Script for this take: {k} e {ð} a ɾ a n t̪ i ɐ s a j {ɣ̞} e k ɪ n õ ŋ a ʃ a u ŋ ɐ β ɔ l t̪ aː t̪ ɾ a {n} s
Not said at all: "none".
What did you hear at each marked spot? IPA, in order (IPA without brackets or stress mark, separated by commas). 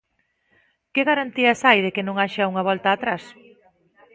k, ɣ, ð̞, none